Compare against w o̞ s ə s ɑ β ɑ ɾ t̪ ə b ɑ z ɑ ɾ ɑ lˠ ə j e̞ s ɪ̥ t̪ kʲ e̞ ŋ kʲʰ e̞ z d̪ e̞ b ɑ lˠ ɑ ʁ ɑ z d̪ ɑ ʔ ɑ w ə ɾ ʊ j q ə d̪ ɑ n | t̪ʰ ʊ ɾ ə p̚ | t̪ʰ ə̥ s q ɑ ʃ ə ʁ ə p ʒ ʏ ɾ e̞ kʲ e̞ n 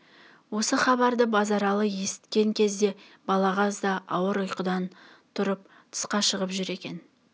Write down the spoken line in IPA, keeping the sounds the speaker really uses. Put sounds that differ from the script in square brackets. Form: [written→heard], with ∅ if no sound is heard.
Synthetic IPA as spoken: w o̞ s ə [s→χ] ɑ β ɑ ɾ [t̪→d̪] ə b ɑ z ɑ ɾ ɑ lˠ ə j e̞ s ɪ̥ t̪ kʲ e̞ ŋ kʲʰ e̞ z d̪ e̞ b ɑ lˠ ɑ ʁ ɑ z d̪ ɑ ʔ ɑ w ə ɾ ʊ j q ə d̪ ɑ n | t̪ʰ ʊ ɾ ə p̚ | t̪ʰ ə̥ s q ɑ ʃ ə ʁ ə p ʒ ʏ ɾ e̞ kʲ e̞ n

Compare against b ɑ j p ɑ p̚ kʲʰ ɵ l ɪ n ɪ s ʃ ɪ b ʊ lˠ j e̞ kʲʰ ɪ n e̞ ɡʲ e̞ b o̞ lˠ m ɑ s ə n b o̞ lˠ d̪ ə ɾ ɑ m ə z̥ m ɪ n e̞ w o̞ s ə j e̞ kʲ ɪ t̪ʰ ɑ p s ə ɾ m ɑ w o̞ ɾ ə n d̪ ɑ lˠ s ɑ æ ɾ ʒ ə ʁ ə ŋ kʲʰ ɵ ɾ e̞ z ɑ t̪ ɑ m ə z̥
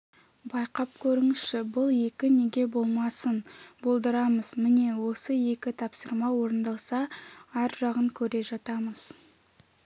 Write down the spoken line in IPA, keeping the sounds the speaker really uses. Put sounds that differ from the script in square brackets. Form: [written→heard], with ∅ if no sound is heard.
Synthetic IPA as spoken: b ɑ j [p→q] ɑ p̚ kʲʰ ɵ [l→ɾ] ɪ [n→ŋ] ɪ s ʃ ɪ b ʊ lˠ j e̞ [kʲʰ→kʲ] ɪ n e̞ ɡʲ e̞ b o̞ lˠ m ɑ s ə n b o̞ lˠ d̪ ə ɾ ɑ m ə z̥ m ɪ n e̞ w o̞ s ə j e̞ kʲ ɪ t̪ʰ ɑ p s ə ɾ m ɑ w o̞ ɾ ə n d̪ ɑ lˠ s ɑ æ ɾ ʒ [ə→ɑ] ʁ ə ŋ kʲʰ ɵ ɾ e̞ [z→ʒ] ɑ t̪ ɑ m ə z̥

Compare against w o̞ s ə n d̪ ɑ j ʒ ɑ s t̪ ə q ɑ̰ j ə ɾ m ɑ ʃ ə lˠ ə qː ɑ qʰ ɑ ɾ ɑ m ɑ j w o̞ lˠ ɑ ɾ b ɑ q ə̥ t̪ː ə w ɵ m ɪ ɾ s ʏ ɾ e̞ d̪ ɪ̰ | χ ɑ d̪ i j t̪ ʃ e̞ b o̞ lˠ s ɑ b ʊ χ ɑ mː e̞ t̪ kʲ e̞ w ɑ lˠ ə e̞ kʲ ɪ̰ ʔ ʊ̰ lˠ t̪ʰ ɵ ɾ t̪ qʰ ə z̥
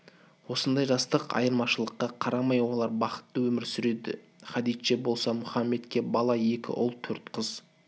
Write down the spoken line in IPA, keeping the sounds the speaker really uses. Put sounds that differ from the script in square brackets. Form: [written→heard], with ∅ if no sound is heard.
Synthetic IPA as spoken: w o̞ s ə n d̪ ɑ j ʒ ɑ s t̪ ə q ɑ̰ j ə ɾ m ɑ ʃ ə lˠ ə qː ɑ qʰ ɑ ɾ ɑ m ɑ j w o̞ lˠ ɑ ɾ b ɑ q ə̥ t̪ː ə w ɵ m ɪ ɾ s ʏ ɾ e̞ d̪ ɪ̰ | χ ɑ d̪ i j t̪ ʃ e̞ b o̞ lˠ s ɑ [b→m] ʊ χ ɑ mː e̞ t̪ kʲ e̞ [w→b] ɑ lˠ [ə→ɑ] e̞ kʲ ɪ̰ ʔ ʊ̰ lˠ t̪ʰ ɵ ɾ t̪ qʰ ə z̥

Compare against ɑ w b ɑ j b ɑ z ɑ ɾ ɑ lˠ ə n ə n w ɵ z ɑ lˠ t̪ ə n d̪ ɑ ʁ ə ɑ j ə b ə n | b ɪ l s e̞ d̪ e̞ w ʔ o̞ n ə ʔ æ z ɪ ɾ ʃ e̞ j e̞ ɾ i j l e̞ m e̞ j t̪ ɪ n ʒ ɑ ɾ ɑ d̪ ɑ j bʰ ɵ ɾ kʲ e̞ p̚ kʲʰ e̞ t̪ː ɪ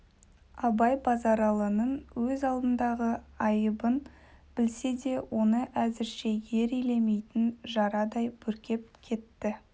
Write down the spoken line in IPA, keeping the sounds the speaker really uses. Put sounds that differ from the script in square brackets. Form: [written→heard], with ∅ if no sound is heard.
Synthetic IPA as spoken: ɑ [w→∅] b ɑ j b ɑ z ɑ ɾ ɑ lˠ ə n ə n w ɵ z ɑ lˠ [t̪→d̪] ə n d̪ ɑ ʁ ə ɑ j ə b ə n | b ɪ l s e̞ d̪ e̞ w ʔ o̞ n ə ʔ æ z ɪ ɾ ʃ e̞ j e̞ ɾ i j l e̞ m e̞ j t̪ ɪ n ʒ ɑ ɾ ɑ d̪ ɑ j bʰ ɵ ɾ kʲ e̞ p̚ kʲʰ e̞ t̪ː ɪ

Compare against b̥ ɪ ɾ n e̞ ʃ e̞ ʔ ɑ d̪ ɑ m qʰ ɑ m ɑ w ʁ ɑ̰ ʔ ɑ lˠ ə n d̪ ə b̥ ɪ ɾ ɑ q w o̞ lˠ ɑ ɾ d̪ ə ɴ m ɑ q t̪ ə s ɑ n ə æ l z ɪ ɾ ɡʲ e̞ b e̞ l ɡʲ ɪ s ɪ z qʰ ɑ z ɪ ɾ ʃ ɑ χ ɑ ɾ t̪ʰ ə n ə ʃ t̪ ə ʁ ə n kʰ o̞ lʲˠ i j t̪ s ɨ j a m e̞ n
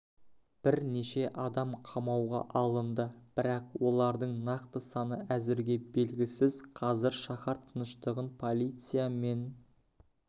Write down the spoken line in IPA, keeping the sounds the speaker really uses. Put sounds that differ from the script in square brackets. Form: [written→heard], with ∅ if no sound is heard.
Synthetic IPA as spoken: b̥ ɪ ɾ n e̞ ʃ e̞ ʔ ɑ d̪ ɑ m qʰ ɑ m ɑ w ʁ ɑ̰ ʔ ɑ lˠ ə n d̪ ə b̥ ɪ ɾ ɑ q w o̞ lˠ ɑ ɾ d̪ ə ɴ [m→n] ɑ q t̪ ə s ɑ n ə æ [l→∅] z ɪ ɾ ɡʲ e̞ b e̞ l ɡʲ ɪ s ɪ z qʰ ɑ z ɪ ɾ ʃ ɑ χ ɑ ɾ t̪ʰ ə n ə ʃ t̪ ə ʁ ə n [kʰ→pʰ] o̞ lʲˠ i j t̪ s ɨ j a m e̞ n

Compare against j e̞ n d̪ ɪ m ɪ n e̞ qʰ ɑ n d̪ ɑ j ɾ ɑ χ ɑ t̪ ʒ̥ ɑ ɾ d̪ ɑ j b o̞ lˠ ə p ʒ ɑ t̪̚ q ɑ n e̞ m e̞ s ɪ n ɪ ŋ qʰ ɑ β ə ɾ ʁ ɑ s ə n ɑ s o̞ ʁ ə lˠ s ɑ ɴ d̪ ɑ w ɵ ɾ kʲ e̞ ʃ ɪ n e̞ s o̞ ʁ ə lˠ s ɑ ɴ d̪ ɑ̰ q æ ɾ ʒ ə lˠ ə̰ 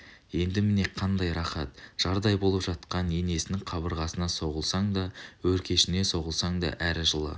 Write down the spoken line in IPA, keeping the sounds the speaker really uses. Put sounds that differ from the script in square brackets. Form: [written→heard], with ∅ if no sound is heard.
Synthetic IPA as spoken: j e̞ n d̪ ɪ m ɪ n e̞ qʰ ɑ n d̪ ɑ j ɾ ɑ χ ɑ t̪ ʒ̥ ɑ ɾ d̪ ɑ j b o̞ lˠ ə p ʒ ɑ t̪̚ q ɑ n e̞ [m→n] e̞ s ɪ n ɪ ŋ qʰ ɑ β ə ɾ ʁ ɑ s ə n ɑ s o̞ ʁ ə lˠ s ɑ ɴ d̪ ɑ w ɵ ɾ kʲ e̞ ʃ ɪ n e̞ s o̞ ʁ ə lˠ s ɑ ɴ d̪ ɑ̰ [q→ʔ] æ ɾ ʒ ə lˠ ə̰

